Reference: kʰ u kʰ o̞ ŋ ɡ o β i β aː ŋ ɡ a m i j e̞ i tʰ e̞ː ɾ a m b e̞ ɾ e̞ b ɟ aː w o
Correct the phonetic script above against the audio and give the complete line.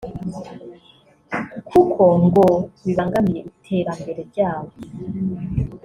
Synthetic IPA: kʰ u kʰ o̞ ŋ ɡ o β i β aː ŋ ɡ a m i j e̞ i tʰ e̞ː ɾ a m b e̞ ɾ e̞ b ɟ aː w o